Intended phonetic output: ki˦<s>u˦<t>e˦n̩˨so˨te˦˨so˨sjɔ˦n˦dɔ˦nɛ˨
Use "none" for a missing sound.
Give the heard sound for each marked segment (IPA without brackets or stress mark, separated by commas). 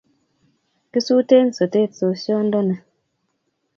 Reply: s, t